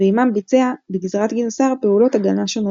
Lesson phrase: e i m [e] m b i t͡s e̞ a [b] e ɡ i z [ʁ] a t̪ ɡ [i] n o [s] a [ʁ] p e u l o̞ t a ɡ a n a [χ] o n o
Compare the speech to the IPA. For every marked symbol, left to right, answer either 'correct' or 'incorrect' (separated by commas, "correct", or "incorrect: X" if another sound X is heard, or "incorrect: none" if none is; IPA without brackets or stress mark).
incorrect: a, correct, correct, correct, correct, correct, incorrect: ʃ